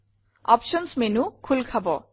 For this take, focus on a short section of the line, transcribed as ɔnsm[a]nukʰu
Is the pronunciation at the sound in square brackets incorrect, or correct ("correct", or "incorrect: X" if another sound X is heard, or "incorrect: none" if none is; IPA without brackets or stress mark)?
incorrect: e